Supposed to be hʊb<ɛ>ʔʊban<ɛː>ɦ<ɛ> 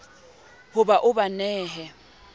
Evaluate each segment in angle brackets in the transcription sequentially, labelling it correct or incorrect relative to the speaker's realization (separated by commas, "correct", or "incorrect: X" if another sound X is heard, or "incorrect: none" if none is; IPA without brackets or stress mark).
incorrect: a, correct, correct